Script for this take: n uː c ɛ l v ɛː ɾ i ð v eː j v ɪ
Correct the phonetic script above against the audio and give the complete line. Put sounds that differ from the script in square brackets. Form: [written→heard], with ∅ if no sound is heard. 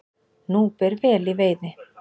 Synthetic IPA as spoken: n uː [c→p] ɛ [l→ɾ] v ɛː [ɾ→l] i [ð→∅] v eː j [v→ð] ɪ